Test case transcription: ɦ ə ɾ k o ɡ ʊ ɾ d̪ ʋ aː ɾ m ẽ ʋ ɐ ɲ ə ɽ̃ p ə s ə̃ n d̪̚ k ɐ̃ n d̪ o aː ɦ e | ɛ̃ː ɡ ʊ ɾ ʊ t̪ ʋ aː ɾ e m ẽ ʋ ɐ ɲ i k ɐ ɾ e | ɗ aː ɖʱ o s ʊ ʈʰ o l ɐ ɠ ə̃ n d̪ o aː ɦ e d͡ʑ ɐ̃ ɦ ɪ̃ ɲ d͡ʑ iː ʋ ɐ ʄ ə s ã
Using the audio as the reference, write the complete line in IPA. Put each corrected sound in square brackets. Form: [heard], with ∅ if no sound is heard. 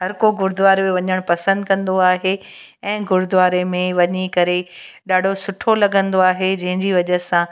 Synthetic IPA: ɦ [ɐ] ɾ k o ɡ ʊ ɾ d̪ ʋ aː ɾ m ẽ ʋ ɐ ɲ ə ɽ̃ p [ɐ] s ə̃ n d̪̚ k ɐ̃ n d̪ o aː ɦ e | ɛ̃ː ɡ ʊ ɾ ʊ [d̪] ʋ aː ɾ e m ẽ ʋ ɐ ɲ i k ɐ ɾ e | ɗ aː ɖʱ o s ʊ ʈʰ o l ɐ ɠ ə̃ n d̪ o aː ɦ e d͡ʑ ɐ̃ ɦ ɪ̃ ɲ d͡ʑ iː ʋ ɐ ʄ ə s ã